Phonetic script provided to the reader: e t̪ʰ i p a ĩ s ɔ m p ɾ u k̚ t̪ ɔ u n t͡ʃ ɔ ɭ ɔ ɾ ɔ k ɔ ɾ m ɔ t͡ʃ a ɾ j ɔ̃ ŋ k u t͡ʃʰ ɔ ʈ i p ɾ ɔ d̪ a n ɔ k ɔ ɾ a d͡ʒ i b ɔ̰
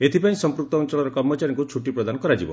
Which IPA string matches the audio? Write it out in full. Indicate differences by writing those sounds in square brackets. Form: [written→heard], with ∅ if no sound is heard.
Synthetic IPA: e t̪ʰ i p a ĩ s ɔ m p ɾ u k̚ t̪ ɔ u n t͡ʃ ɔ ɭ ɔ ɾ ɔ k ɔ ɾ m ɔ t͡ʃ a ɾ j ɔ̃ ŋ k u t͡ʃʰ [ɔ→u] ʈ i p ɾ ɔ d̪ a n ɔ k ɔ ɾ a d͡ʒ i b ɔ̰